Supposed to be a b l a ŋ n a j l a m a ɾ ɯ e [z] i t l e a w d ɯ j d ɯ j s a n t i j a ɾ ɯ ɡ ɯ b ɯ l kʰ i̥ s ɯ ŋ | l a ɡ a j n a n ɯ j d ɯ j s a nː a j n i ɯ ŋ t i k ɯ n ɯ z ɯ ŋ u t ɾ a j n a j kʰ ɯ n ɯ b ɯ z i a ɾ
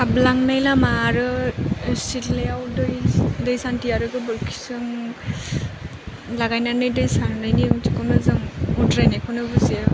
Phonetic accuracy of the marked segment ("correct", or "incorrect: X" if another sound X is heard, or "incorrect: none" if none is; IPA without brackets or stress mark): incorrect: s